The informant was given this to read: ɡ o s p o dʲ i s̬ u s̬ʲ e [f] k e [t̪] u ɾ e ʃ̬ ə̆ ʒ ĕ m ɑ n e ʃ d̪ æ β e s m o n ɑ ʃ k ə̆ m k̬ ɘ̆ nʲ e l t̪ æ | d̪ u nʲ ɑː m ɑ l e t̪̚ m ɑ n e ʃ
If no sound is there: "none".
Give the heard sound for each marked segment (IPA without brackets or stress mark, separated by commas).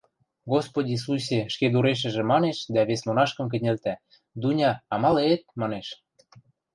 ʃ, d̪